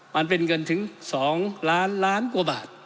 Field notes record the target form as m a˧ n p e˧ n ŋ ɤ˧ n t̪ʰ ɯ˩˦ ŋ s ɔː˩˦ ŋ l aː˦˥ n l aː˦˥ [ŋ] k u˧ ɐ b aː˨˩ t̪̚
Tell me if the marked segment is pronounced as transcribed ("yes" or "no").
no